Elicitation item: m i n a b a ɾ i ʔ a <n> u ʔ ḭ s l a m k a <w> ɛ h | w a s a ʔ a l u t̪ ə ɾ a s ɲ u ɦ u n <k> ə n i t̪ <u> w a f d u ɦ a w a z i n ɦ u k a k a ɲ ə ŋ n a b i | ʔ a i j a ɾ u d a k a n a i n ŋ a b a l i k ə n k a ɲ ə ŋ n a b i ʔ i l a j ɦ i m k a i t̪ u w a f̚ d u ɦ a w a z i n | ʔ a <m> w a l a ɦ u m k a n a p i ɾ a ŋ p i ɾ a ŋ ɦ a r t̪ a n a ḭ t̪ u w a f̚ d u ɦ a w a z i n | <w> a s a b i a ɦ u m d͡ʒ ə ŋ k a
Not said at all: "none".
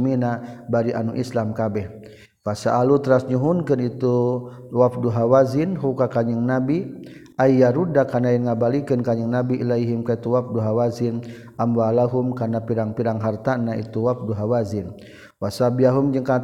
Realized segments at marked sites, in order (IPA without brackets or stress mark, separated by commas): n, b, k, u, m, w